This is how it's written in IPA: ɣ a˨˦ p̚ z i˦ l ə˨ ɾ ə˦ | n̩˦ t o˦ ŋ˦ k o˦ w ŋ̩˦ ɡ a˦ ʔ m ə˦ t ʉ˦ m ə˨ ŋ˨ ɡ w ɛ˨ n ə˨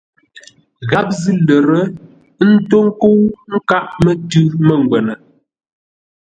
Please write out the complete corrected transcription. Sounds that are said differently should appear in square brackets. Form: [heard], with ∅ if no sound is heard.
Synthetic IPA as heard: ɣ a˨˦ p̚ z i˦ l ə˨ ɾ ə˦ | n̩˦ t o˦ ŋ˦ k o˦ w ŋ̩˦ [k] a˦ ʔ m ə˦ t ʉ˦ m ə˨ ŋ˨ ɡ w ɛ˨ n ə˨